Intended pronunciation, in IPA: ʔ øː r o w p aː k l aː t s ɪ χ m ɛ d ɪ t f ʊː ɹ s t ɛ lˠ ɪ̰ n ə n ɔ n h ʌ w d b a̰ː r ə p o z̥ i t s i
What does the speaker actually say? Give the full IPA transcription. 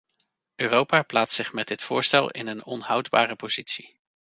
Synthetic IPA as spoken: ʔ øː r o w p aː p l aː t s ɪ χ m ɛ d ɪ t f ʊː ɹ s t ɛ lˠ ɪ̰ n ə n ɔ n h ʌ w d b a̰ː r ə p o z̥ i t s i